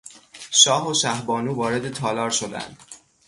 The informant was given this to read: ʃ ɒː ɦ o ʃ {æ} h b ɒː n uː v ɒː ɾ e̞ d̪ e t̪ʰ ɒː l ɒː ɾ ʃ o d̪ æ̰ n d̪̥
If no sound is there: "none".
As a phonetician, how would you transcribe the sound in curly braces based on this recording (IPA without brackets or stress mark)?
æ